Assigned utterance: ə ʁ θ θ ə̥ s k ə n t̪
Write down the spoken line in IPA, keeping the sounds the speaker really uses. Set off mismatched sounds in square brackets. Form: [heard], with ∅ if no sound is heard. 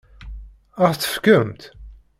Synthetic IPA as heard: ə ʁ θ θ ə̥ [f] k ə [m] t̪

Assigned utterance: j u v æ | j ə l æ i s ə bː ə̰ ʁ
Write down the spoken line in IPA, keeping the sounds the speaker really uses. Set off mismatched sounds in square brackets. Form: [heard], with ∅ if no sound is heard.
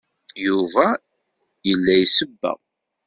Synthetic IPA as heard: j u v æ | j ə [lː] æ [j] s ə bː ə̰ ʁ

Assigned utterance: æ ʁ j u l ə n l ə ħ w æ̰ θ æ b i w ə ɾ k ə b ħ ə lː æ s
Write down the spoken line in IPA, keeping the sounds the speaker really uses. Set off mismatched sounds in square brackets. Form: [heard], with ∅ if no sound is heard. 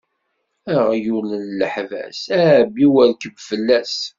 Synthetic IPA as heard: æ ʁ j u l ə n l ə ħ [v] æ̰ [s] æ b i w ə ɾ k ə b [f] ə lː æ s

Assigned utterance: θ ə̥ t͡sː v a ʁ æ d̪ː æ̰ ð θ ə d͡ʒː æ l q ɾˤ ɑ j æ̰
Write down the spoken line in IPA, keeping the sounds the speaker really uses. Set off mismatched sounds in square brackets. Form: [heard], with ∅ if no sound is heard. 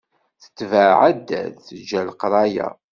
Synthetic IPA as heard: θ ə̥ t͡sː v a [ʕ] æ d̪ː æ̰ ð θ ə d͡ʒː æ l q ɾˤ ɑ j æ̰

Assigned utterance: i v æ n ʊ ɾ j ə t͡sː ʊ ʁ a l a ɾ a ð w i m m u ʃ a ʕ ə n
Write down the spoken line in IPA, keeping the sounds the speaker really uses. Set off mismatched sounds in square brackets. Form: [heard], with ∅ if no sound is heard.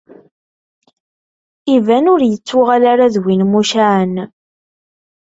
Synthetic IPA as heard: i v æ n ʊ ɾ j ə t͡sː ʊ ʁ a l a ɾ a ð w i [n] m u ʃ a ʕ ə n

